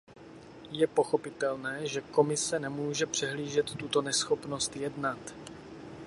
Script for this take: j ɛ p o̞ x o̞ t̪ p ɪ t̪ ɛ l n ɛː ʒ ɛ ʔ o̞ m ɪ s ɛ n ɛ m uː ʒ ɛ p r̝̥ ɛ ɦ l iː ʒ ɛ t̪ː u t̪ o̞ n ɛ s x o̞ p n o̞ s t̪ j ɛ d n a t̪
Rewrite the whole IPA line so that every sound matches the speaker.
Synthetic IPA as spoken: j ɛ p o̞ x o̞ p ɪ t̪ ɛ l n ɛː ʒ ɛ k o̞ m ɪ s ɛ n ɛ m uː ʒ ɛ p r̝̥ ɛ ɦ l iː ʒ ɛ t̪ː u t̪ o̞ n ɛ s x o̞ p n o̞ s t̪ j ɛ d n a t̪